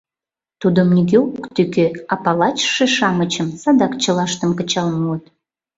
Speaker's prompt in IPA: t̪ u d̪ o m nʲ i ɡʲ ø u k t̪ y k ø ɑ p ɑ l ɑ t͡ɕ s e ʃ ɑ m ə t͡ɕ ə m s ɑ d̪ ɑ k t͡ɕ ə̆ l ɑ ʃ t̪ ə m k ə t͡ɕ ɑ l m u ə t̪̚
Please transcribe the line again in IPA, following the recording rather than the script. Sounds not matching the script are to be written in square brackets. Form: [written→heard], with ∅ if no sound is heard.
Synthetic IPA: t̪ u d̪ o m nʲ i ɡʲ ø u k t̪ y k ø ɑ p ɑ l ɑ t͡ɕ [s→ʃ] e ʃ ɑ m ə t͡ɕ ə m s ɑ d̪ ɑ k t͡ɕ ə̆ l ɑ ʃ t̪ ə m k ə t͡ɕ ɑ l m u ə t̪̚

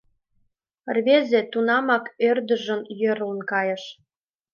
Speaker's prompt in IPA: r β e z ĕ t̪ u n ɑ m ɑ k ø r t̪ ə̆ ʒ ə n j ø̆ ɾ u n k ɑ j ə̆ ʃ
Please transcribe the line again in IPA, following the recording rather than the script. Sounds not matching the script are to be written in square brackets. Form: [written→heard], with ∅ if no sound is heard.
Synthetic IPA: r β e z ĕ t̪ u n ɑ m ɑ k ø r [t̪→d̪] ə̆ ʒ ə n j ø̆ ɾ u n k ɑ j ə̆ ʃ

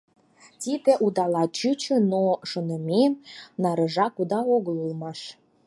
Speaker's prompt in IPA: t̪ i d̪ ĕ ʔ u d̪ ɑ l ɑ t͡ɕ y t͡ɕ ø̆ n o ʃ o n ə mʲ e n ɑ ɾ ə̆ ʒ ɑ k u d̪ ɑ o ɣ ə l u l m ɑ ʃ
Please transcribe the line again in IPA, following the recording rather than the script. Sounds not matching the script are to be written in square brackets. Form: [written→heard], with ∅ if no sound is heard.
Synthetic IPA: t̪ i d̪ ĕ ʔ u d̪ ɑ l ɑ t͡ɕ y t͡ɕ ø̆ n o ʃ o n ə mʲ e n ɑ ɾ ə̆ ʒ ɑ k u d̪ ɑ o ɣ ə l u l m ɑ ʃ

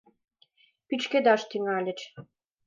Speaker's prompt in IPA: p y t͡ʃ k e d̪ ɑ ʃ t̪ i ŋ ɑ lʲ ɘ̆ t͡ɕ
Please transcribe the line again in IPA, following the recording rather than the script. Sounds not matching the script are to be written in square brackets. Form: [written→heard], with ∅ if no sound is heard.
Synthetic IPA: p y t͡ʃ k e d̪ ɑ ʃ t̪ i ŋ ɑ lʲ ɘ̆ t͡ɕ

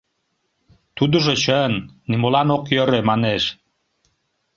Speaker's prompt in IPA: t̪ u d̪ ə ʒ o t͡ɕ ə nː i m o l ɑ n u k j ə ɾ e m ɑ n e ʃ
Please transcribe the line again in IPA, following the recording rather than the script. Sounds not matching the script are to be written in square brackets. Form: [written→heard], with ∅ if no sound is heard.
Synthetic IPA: t̪ u d̪ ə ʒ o t͡ɕ ə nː i m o l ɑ n [u→o] k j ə ɾ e m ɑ n e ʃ

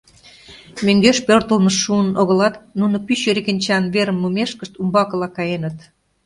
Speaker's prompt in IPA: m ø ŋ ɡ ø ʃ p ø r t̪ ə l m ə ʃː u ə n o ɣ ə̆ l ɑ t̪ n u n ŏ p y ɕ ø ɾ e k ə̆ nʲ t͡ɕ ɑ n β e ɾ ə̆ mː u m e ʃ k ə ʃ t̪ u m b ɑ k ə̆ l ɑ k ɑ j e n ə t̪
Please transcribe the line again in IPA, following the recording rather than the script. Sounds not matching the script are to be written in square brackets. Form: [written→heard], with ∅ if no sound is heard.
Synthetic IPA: m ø ŋ ɡ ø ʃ p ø r t̪ ə l m ə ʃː u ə n o ɣ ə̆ l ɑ t̪ n u n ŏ p y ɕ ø ɾ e k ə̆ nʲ t͡ɕ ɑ n β e ɾ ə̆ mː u m e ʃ k ə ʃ t̪ u m b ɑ k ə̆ l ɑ k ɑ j e n ə t̪

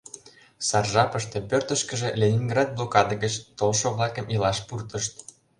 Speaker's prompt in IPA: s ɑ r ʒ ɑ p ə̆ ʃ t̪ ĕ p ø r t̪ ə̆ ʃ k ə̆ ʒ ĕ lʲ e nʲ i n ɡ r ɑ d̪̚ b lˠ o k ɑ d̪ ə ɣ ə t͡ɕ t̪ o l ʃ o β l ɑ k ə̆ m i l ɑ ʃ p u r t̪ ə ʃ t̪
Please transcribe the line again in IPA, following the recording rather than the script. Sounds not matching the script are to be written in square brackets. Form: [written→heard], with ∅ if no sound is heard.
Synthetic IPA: s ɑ r ʒ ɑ p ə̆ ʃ t̪ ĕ p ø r t̪ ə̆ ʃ k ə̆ ʒ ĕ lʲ e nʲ i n ɡ r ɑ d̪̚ b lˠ o k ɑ d̪ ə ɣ ə t͡ɕ t̪ o l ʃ o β l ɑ k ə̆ m i l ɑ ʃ p u r t̪ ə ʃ t̪

